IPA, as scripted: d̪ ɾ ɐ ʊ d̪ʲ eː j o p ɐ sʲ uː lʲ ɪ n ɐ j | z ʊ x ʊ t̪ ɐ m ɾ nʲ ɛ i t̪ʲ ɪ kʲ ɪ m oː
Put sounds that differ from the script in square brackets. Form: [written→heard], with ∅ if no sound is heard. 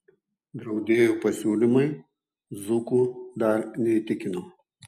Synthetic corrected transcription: d̪ ɾ ɐ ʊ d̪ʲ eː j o p ɐ sʲ uː lʲ ɪ [n→m] ɐ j | z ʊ [x→k] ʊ [t̪→d̪] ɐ [m→∅] ɾ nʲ ɛ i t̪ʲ ɪ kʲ ɪ [m→n] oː